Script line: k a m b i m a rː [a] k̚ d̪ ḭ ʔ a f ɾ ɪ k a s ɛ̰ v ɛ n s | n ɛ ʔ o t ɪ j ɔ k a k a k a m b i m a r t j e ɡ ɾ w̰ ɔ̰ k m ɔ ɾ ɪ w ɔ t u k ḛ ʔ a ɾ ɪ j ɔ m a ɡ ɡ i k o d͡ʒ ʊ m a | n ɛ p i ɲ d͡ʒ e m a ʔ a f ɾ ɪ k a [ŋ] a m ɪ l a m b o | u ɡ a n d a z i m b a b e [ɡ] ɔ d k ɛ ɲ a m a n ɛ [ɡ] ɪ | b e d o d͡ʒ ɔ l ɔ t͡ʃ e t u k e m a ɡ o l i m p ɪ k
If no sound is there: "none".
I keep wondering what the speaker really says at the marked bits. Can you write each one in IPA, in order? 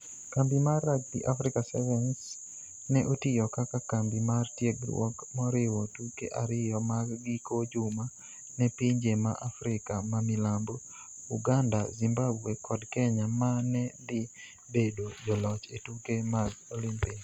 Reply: a, m, k, d

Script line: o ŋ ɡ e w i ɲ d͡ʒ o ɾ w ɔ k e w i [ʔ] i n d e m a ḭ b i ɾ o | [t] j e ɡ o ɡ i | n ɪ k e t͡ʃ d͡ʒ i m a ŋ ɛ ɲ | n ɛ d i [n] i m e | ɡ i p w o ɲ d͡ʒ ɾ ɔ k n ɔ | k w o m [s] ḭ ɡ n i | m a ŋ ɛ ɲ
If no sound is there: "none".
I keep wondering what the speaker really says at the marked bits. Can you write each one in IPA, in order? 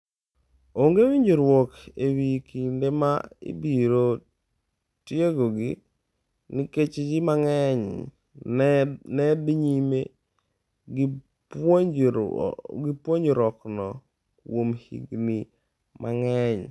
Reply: k, t, ɲ, h

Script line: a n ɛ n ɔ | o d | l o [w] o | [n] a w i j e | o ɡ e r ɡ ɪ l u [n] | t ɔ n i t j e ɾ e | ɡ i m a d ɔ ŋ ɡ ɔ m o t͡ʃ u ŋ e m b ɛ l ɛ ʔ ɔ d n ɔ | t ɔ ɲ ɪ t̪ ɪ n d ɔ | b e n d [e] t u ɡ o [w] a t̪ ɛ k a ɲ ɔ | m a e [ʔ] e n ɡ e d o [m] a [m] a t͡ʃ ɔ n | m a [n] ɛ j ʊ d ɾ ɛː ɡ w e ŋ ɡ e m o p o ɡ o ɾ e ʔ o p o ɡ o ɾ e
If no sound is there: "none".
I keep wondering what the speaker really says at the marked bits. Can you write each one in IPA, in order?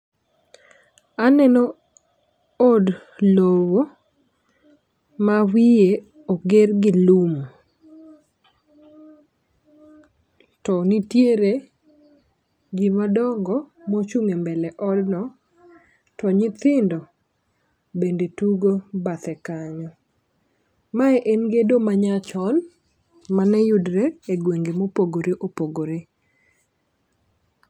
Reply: w, m, m, e, b, ʔ, m, ɲ, n

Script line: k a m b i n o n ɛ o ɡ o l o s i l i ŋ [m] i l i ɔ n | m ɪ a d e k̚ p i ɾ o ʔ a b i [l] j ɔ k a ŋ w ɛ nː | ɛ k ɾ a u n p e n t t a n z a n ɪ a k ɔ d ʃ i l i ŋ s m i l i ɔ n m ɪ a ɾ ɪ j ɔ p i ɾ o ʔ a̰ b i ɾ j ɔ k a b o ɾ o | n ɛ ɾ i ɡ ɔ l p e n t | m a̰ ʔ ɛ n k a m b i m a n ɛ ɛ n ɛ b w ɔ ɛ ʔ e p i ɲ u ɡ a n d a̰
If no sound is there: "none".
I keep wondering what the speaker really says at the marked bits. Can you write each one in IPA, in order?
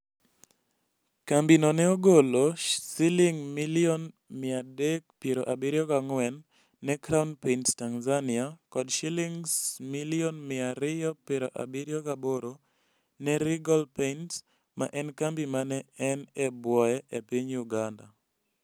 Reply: m, ɾ

